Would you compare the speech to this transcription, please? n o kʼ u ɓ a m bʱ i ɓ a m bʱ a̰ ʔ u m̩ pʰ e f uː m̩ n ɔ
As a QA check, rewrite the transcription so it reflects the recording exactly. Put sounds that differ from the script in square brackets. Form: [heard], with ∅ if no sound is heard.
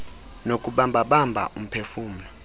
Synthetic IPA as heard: n o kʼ u ɓ a m bʱ [a] ɓ a m bʱ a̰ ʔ u m̩ pʰ e f uː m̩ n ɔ